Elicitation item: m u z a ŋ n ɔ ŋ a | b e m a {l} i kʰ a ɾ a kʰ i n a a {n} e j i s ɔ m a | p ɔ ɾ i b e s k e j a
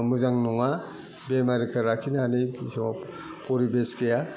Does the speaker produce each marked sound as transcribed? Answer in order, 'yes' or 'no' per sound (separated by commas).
no, yes